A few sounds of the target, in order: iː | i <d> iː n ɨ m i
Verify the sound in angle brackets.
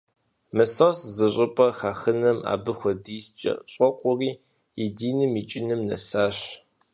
correct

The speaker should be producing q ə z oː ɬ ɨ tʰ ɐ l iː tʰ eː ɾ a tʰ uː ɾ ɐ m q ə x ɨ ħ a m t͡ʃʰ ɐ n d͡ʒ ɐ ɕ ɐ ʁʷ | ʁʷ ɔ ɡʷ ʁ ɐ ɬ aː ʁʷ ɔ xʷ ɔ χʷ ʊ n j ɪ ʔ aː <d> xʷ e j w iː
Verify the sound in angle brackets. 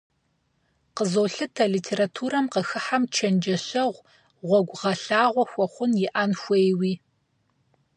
incorrect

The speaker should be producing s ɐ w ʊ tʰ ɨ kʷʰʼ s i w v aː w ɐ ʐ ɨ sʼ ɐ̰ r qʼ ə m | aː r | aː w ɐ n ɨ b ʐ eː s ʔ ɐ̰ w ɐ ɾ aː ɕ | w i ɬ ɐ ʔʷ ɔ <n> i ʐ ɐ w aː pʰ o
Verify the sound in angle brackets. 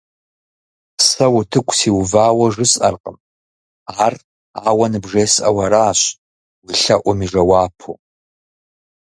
incorrect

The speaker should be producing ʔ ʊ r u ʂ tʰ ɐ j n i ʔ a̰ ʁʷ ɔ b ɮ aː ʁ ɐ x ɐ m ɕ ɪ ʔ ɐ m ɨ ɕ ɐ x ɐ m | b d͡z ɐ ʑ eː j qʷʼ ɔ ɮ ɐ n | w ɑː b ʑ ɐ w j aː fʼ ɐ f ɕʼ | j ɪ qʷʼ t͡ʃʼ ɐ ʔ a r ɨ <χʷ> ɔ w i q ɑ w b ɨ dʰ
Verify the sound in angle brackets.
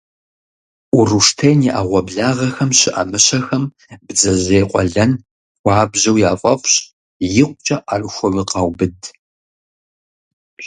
incorrect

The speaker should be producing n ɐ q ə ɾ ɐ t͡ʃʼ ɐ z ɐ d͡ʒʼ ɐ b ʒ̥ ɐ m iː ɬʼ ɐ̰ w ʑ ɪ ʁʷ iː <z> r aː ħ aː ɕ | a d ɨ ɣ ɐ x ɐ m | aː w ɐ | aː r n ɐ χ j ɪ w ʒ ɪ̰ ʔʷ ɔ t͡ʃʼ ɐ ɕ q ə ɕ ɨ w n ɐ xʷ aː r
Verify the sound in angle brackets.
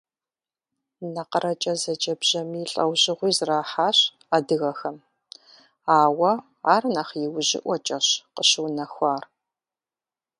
correct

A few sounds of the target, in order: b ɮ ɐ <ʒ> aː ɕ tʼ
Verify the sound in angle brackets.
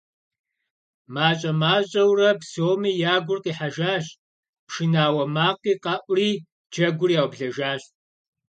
correct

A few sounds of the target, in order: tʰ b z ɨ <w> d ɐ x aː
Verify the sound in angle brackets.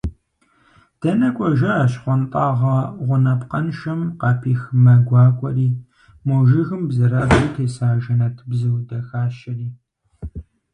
correct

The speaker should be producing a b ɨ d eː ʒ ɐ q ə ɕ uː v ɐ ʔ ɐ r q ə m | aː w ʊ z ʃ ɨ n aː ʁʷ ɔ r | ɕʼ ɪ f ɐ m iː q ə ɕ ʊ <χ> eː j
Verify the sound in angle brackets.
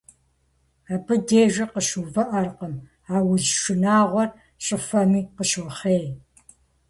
correct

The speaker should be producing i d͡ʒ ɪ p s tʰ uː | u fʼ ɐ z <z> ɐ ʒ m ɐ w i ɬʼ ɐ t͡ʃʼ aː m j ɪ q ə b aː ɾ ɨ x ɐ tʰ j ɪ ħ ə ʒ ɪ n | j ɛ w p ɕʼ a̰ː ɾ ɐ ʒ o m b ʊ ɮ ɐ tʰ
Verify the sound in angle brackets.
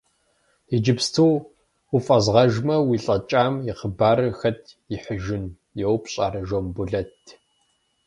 incorrect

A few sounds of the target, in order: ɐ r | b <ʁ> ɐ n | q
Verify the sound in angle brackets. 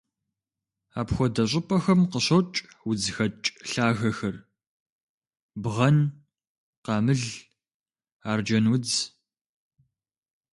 correct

